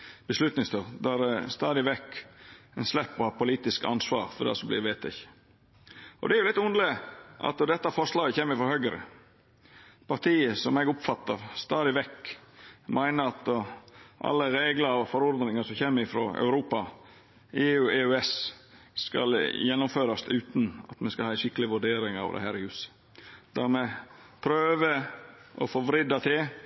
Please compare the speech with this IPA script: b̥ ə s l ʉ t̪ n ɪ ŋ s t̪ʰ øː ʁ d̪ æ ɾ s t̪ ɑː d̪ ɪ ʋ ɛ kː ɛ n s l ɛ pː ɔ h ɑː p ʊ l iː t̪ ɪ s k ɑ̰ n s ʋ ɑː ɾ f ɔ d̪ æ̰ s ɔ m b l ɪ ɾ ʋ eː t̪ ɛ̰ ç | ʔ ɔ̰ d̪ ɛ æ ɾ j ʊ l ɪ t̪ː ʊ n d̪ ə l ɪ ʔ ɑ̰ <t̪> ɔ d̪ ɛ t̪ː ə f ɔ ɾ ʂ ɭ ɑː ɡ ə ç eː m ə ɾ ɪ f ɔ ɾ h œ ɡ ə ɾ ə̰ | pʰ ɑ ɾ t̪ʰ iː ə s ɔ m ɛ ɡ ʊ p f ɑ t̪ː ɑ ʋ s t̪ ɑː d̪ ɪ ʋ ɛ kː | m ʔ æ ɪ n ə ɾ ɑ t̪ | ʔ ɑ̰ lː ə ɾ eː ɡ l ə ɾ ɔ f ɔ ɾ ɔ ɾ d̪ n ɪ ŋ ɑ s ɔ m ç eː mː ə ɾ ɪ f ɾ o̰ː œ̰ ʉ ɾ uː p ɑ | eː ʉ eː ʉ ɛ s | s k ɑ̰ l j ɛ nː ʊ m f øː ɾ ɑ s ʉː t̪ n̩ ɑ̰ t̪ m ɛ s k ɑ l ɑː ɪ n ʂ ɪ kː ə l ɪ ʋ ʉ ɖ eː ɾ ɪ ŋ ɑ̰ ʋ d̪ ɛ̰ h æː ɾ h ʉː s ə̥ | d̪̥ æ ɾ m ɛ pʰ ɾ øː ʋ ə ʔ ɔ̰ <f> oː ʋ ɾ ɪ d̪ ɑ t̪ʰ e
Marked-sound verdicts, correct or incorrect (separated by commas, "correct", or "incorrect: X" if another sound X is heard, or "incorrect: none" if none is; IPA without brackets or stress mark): correct, correct